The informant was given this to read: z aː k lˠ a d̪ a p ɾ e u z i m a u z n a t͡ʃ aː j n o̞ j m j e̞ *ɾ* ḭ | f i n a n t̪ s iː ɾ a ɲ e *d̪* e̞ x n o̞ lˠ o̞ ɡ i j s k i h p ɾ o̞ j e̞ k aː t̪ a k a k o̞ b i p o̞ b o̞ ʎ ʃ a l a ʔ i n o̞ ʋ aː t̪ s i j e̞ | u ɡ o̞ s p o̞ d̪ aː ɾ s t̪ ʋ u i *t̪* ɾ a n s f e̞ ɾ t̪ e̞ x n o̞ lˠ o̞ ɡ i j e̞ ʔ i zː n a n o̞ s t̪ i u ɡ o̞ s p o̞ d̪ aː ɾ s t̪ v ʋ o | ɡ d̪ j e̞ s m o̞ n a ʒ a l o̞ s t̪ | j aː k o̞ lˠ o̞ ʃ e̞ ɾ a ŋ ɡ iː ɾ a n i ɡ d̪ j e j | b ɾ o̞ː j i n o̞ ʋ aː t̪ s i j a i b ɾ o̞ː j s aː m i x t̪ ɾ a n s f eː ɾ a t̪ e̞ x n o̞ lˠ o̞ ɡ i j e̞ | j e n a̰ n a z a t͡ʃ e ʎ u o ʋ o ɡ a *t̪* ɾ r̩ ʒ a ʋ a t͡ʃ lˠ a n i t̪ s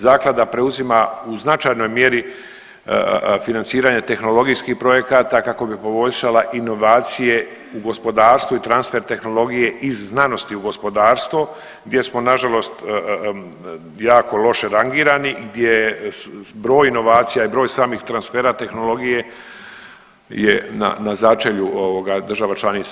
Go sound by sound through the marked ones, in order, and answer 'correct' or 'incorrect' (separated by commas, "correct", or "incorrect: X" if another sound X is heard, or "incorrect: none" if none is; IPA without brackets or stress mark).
correct, incorrect: t̪, correct, incorrect: d̪